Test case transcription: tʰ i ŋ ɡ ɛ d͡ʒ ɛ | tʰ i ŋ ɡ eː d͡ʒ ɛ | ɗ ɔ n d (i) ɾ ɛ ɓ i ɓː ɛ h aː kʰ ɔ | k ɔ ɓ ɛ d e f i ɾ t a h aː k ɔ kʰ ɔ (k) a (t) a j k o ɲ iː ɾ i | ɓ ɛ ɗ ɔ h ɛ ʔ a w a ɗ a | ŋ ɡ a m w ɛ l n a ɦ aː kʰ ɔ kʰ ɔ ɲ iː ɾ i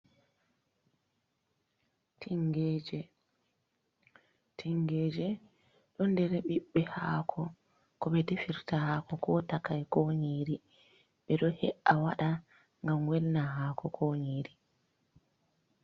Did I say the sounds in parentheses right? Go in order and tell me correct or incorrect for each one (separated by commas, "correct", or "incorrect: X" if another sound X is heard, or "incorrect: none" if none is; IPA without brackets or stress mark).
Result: incorrect: ɛ, incorrect: t, incorrect: k